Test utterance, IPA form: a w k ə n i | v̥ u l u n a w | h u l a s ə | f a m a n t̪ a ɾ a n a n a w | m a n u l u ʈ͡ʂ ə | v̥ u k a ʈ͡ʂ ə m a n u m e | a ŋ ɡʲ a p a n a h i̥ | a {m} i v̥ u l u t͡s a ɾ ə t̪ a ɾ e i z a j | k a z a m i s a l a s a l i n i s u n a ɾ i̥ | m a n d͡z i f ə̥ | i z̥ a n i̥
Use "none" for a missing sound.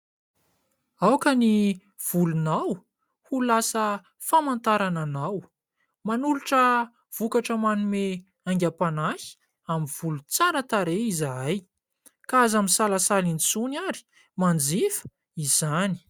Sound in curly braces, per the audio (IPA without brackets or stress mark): m